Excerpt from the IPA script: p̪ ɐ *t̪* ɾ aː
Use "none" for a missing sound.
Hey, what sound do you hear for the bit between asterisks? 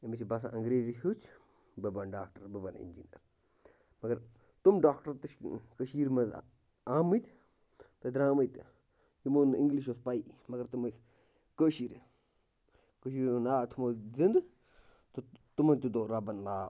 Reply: d̪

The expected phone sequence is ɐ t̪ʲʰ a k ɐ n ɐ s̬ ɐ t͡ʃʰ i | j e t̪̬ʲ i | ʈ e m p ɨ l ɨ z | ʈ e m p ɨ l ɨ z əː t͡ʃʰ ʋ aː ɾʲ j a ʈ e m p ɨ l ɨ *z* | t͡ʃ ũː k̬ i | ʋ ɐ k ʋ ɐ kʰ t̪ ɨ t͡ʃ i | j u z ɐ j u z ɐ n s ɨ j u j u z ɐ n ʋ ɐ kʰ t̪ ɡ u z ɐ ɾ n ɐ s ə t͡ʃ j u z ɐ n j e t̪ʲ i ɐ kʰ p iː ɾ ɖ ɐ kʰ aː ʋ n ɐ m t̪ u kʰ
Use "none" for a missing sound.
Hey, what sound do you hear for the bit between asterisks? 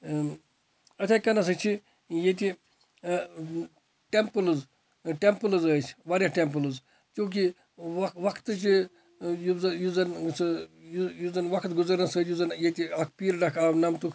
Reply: z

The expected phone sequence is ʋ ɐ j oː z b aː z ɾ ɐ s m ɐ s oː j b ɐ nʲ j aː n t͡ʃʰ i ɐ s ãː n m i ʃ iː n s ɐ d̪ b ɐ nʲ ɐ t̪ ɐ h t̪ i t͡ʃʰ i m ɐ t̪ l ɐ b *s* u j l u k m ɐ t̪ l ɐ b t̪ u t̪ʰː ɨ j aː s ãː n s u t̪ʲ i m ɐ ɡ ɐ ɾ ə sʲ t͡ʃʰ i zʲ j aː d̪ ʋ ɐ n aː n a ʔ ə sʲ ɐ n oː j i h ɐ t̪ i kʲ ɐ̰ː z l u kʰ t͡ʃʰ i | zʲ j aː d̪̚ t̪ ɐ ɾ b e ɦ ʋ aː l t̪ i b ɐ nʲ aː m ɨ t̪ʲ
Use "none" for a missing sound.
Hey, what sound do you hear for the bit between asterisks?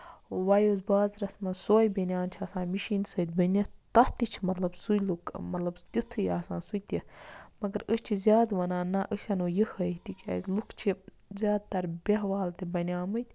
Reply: s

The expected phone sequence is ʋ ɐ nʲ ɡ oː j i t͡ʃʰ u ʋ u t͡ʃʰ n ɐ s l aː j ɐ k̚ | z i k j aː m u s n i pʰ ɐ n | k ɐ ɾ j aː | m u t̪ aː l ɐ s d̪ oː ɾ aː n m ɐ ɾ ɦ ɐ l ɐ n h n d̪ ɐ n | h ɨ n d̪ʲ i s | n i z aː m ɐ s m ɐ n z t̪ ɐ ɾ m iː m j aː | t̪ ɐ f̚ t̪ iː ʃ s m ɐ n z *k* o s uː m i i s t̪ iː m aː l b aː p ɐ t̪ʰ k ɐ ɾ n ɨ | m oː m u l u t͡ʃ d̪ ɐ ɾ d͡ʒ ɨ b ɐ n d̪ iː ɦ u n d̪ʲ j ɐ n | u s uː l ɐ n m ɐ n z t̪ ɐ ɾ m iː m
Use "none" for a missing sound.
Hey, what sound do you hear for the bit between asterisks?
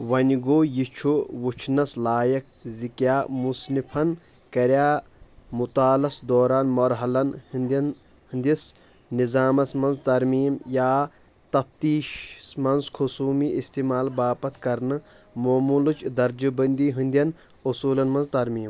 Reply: kʰ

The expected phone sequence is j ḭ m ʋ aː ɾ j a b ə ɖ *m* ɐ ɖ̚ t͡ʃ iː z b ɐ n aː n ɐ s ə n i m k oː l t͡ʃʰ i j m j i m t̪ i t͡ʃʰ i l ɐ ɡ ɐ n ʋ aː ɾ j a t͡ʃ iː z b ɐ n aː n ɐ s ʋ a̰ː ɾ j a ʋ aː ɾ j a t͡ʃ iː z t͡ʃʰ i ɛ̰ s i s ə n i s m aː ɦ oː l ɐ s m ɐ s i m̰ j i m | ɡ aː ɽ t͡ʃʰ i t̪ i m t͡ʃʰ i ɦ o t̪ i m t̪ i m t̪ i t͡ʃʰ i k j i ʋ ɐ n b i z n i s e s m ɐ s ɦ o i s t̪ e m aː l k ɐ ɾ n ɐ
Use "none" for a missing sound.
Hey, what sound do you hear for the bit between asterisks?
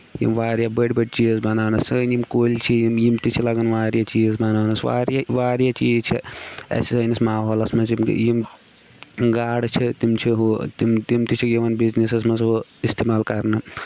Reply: b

